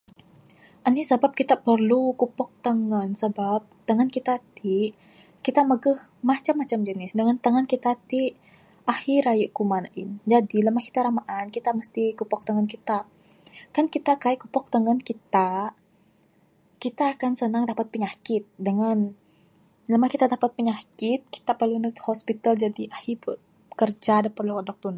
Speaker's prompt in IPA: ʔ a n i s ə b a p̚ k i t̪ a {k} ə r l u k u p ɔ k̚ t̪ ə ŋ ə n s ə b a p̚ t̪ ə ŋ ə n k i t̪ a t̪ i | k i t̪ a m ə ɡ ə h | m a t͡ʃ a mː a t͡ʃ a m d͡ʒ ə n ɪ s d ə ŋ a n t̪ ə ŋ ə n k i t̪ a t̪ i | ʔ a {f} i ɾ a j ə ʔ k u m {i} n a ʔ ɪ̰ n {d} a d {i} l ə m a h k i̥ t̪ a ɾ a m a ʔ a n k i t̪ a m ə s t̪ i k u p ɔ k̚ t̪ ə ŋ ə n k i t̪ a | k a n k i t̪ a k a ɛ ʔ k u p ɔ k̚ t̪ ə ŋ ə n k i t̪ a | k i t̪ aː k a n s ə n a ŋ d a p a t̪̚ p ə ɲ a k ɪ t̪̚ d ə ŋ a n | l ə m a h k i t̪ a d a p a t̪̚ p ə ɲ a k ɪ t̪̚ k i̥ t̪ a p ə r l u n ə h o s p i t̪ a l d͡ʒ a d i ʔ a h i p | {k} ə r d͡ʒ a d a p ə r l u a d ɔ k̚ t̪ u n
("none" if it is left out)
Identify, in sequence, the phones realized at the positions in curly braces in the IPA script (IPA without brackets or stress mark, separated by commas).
p, h, a, d͡ʒ, i, k